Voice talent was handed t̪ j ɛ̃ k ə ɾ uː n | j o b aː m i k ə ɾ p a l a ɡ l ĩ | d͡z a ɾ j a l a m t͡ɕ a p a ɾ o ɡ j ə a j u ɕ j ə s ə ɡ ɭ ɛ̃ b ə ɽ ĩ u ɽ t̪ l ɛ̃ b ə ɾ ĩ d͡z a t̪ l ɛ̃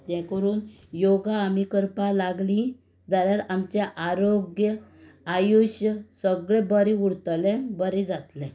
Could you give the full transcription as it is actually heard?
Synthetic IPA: t̪ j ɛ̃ k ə ɾ uː n | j o ɡ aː m i k ə ɾ p a l a ɡ l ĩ | d͡z a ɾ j a ɾ a m t͡ɕ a ʔ a ɾ o ɡ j ə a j u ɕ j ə s ə ɡ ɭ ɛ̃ b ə ɾ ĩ u ɽ t̪ l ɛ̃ b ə ɾ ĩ d͡z a t̪ l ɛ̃